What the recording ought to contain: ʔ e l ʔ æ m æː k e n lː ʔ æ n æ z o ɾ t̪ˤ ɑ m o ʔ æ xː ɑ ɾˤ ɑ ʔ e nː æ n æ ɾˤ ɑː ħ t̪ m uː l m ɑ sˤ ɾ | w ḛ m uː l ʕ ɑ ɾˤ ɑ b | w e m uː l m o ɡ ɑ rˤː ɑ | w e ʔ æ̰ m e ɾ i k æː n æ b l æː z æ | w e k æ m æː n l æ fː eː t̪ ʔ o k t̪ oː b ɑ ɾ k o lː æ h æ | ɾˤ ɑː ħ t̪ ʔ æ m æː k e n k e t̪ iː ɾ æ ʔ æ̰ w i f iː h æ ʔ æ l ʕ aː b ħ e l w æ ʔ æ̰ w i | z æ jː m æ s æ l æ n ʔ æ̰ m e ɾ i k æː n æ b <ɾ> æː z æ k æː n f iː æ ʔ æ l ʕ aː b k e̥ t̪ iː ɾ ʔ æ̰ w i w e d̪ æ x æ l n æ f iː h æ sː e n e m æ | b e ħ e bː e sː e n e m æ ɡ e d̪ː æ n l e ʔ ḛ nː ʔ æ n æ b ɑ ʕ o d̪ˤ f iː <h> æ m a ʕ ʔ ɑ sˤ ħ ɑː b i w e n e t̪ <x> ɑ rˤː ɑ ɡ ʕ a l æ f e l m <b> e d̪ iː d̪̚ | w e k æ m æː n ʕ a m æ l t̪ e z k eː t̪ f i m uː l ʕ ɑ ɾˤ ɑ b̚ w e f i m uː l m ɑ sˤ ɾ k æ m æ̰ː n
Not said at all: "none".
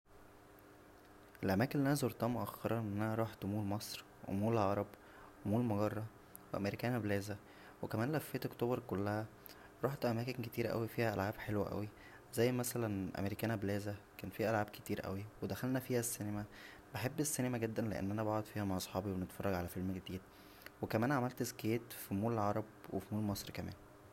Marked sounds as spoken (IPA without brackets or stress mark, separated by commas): l, h, f, ɡ